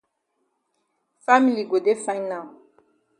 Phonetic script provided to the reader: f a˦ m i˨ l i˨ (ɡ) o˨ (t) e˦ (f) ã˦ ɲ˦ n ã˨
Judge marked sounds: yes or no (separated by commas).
yes, no, yes